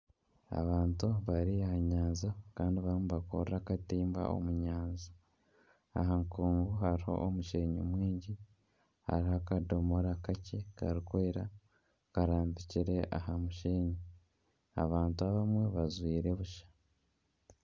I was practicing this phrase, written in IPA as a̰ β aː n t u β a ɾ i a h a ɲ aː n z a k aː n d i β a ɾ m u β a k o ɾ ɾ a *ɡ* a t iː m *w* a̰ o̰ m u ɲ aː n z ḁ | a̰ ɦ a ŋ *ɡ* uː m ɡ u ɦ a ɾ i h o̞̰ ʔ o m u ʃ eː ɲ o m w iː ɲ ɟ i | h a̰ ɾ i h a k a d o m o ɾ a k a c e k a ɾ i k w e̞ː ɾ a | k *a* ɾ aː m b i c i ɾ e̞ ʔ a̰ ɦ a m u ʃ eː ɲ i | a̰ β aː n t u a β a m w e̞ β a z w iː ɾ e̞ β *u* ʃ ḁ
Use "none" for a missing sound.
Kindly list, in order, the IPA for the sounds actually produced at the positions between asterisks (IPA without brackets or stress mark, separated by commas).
k, b, k, a, u